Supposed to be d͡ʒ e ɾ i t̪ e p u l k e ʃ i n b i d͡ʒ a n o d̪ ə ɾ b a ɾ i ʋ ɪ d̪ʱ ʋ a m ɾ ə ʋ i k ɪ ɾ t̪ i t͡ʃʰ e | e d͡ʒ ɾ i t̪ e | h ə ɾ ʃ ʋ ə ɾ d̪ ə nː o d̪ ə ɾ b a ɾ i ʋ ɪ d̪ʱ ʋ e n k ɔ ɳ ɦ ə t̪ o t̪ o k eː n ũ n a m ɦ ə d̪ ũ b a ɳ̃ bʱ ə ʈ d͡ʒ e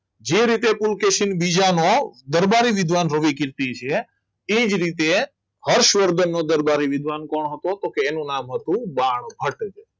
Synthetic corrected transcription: d͡ʒ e ɾ i t̪ e p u l k e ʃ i n b i d͡ʒ a n o d̪ ə ɾ b a ɾ i ʋ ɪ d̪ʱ ʋ a n ɾ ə ʋ i k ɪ ɾ t̪ i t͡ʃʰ e | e d͡ʒ ɾ i t̪ e | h ə ɾ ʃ ʋ ə ɾ d̪ ə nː o d̪ ə ɾ b a ɾ i ʋ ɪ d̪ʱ ʋ a n k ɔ ɳ ɦ ə t̪ o t̪ o k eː n ũ n a m ɦ ə t̪ ũ b a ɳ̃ bʱ ə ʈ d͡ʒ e

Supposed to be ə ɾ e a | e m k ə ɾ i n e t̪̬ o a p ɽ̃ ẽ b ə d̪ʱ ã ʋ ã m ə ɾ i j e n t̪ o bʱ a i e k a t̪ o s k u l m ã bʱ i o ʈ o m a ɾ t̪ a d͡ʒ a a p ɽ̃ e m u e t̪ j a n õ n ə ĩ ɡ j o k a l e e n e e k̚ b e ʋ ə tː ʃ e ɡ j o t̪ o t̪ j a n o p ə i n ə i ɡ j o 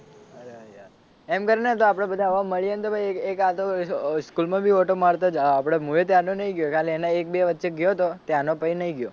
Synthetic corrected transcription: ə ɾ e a | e m k ə ɾ i n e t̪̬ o a p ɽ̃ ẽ b ə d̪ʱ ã ʋ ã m ə ɭ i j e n t̪ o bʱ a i e k a t̪ o s k u l m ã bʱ i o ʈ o m a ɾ t̪ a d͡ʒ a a p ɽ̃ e m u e t̪ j a n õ n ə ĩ ɡ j o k a l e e n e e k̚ b e ʋ ə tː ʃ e ɡ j o t̪ o t̪ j a n o p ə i n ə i ɡ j o

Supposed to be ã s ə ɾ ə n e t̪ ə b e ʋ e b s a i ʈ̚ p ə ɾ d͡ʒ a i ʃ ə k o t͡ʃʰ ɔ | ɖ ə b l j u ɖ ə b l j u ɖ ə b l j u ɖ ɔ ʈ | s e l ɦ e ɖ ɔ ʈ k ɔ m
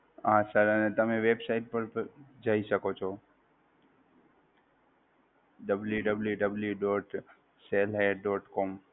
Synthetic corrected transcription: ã s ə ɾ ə n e t̪ ə m e ʋ e b s a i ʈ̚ p ə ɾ d͡ʒ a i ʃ ə k o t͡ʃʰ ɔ | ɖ ə b l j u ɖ ə b l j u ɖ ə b l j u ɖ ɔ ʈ | s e l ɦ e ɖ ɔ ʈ k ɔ m

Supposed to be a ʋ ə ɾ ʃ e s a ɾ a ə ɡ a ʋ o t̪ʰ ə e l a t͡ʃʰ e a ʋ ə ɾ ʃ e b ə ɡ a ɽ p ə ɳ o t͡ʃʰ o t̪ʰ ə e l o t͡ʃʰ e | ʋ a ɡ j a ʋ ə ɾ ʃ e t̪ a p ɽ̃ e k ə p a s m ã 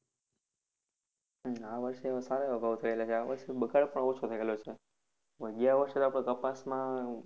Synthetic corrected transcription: a ʋ ə ɾ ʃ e s a ɾ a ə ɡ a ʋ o t̪ʰ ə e l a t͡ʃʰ e a ʋ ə ɾ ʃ e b ə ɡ a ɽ p ə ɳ o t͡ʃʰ o t̪ʰ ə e l o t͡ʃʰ e | ʋ ə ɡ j a ʋ ə ɾ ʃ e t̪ a p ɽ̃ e k ə p a s m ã

